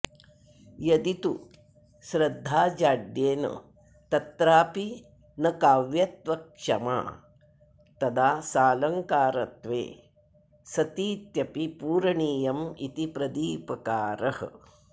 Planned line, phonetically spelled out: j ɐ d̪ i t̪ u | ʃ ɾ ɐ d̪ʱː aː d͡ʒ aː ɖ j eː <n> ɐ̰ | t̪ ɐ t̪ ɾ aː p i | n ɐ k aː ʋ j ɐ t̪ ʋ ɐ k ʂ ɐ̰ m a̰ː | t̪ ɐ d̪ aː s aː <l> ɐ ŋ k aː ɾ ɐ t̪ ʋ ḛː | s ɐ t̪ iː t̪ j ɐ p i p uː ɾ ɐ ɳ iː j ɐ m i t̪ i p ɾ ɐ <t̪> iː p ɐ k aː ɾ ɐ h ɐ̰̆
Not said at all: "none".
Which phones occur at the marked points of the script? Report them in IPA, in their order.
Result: n, l, d̪

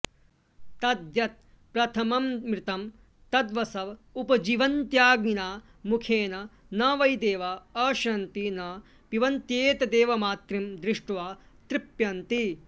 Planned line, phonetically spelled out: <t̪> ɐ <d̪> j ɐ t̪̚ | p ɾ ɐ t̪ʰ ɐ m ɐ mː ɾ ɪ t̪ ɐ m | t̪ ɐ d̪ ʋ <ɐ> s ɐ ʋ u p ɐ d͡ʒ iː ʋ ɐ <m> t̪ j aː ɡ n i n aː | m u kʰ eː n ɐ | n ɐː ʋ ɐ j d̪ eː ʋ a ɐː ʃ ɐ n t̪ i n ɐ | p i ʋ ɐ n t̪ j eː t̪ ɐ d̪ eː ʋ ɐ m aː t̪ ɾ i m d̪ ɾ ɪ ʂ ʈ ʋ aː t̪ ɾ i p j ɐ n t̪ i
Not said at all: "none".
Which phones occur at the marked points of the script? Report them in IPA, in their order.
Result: t̪, d̪, ɐ, n

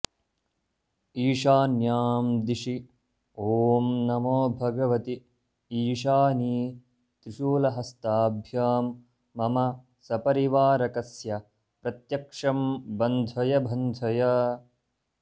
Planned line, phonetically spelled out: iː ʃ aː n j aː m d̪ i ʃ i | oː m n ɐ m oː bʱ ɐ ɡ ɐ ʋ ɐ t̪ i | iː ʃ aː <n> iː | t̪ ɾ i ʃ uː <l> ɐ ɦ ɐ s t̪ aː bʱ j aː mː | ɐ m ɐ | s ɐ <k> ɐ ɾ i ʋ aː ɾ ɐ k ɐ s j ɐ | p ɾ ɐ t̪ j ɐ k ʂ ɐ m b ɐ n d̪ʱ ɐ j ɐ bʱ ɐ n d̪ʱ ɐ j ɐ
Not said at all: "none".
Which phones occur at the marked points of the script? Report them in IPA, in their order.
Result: n, l, p

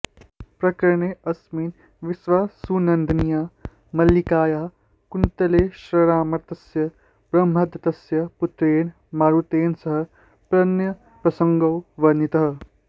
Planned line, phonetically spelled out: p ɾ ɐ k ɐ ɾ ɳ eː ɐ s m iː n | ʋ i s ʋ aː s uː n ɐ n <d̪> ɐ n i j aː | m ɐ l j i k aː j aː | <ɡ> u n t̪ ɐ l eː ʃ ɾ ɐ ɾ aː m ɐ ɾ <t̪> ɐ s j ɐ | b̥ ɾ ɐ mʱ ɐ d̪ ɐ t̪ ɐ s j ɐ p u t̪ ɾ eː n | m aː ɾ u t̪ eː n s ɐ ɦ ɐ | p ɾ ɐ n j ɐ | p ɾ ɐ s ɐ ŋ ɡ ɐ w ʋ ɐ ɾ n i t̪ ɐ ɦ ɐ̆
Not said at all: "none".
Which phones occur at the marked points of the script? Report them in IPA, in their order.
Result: d̪, k, t̪

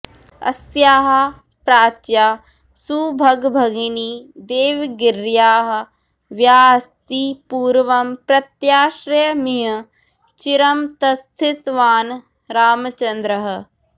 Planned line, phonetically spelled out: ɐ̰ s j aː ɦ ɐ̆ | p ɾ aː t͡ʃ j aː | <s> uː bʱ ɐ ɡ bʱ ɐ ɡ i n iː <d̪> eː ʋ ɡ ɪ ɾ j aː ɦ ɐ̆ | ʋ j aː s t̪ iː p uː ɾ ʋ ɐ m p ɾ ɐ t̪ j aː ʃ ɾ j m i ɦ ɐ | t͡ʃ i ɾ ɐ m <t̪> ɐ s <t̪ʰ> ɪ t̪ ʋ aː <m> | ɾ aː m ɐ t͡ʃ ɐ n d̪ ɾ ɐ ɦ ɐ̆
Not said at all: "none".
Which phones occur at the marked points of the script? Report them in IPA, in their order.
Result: s, d̪, t̪, t̪ʰ, n

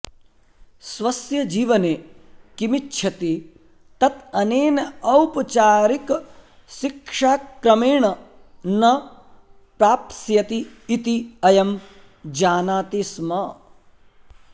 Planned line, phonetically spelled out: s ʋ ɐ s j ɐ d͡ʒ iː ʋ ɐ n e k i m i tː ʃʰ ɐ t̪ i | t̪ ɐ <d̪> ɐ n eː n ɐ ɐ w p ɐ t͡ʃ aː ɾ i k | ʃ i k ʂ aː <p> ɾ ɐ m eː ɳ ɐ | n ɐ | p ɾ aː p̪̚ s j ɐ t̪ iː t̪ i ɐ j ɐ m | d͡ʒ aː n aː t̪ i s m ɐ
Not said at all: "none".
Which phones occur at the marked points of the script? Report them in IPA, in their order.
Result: t̪, k

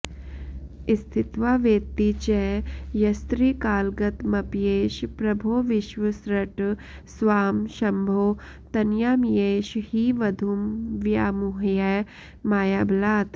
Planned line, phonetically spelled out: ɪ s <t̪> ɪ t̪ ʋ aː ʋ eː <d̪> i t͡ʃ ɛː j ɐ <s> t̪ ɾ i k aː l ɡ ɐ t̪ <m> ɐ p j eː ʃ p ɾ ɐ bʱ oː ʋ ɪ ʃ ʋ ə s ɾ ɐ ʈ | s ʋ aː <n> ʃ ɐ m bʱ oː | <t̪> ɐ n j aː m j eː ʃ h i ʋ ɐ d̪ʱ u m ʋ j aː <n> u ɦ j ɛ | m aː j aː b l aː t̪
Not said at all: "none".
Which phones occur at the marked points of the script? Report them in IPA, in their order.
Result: t̪ʰ, t̪, s, m, m, t̪, m

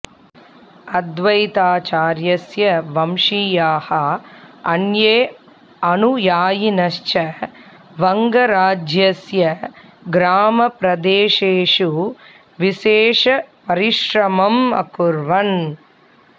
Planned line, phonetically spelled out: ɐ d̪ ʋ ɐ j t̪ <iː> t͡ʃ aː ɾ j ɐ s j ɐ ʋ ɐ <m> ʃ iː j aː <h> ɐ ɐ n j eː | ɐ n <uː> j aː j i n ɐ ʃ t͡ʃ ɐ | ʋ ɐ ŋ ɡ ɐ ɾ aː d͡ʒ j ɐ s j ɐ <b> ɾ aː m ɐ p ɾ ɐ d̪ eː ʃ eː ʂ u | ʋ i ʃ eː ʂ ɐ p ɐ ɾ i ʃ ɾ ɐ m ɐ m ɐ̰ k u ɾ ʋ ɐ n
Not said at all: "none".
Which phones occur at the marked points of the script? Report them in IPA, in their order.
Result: aː, m, h, u, ɡ

